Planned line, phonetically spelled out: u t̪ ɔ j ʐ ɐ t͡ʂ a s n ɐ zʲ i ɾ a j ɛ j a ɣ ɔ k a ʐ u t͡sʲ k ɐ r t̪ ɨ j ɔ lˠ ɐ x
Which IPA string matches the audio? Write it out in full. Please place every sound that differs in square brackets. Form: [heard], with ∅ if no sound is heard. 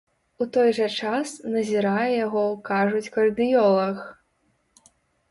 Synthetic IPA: u t̪ ɔ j ʐ ɐ t͡ʂ a s n ɐ zʲ i ɾ a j ɛ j a ɣ ɔ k a ʐ u t͡sʲ k ɐ r [d̪] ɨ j ɔ lˠ ɐ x

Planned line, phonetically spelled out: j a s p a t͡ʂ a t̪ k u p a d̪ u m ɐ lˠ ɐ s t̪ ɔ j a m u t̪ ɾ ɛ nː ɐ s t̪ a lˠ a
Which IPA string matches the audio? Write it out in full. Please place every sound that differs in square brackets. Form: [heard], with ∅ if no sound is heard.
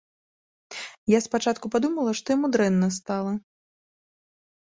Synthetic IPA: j a s p a t͡ʂ a t̪ k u p a d̪ u m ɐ lˠ ɐ [ʂ] t̪ ɔ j a m u [d̪] ɾ ɛ nː ɐ s t̪ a lˠ [ɐ]

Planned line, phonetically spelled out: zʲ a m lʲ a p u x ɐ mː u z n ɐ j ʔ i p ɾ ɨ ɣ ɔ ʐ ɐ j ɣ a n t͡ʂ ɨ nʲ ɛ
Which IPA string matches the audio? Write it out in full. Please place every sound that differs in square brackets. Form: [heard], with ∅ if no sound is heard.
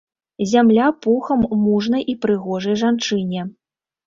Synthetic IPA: zʲ a m lʲ a p u x ɐ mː u [ʐ] n ɐ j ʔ i p ɾ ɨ ɣ ɔ ʐ ɐ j [ʐ] a n t͡ʂ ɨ nʲ ɛ

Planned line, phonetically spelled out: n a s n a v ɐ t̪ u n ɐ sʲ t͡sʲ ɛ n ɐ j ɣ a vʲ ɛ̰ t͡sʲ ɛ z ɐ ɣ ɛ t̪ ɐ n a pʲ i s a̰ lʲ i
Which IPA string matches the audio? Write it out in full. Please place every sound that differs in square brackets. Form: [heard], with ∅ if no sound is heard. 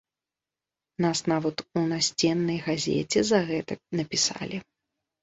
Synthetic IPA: n a s n a v ɐ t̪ u n [a] sʲ t͡sʲ ɛ [nː] ɐ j ɣ a [zʲ] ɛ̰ t͡sʲ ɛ z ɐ ɣ ɛ t̪ ɐ n [ɐ] pʲ i s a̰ lʲ i

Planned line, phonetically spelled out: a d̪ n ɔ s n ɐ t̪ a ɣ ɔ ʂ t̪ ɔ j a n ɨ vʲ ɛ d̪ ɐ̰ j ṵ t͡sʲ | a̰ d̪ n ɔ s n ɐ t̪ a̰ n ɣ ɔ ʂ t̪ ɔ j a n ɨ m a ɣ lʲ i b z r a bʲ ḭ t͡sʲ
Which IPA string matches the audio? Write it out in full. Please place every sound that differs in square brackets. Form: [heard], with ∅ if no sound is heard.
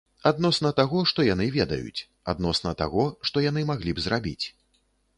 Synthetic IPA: a d̪ n ɔ s n ɐ t̪ a ɣ ɔ ʂ t̪ ɔ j a n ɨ vʲ ɛ d̪ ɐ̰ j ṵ t͡sʲ | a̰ d̪ n ɔ s n ɐ t̪ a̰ [∅] ɣ ɔ ʂ t̪ ɔ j a n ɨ m a ɣ lʲ i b z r a bʲ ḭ t͡sʲ

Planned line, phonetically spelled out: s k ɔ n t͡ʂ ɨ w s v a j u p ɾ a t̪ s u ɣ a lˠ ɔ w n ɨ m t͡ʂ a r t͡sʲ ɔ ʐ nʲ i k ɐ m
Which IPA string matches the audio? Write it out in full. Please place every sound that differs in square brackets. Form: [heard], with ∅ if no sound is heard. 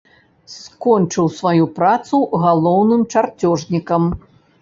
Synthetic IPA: s k ɔ n t͡ʂ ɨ w s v a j u p ɾ a t̪ s u ɣ a lˠ ɔ w n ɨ m t͡ʂ a r t͡sʲ ɔ ʐ nʲ i k ɐ m

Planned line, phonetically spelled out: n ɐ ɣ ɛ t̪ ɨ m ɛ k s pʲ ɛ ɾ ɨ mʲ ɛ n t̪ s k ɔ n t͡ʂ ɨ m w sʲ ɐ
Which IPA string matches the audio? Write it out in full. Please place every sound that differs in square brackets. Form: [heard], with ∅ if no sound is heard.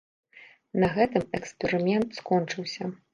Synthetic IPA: n ɐ ɣ ɛ t̪ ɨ m ɛ k s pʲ ɛ ɾ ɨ mʲ ɛ n t̪ s k ɔ n t͡ʂ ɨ [∅] w sʲ ɐ

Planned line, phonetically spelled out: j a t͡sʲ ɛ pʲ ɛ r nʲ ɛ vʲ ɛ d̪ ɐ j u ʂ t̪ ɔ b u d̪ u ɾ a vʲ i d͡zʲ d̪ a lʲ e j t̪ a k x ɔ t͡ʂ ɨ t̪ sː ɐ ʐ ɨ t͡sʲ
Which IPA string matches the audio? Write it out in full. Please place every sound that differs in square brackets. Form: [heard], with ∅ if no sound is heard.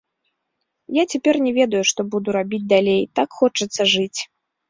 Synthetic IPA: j a t͡sʲ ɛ pʲ ɛ r nʲ ɛ vʲ ɛ d̪ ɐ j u ʂ t̪ ɔ b u d̪ u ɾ a [bʲ] i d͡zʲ d̪ a lʲ e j t̪ a k x ɔ t͡ʂ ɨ t̪ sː ɐ ʐ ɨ t͡sʲ

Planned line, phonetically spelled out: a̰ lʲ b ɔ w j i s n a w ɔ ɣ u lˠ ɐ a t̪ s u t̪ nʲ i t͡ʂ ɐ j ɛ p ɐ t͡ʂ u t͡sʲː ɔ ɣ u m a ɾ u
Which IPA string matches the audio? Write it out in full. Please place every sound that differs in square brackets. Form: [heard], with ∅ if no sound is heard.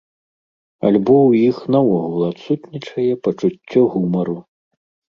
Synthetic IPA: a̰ lʲ b ɔ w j i [x] n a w ɔ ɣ u lˠ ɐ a t̪ s u t̪ nʲ i t͡ʂ ɐ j ɛ p ɐ t͡ʂ u t͡sʲː ɔ ɣ u m [ɐ] ɾ u

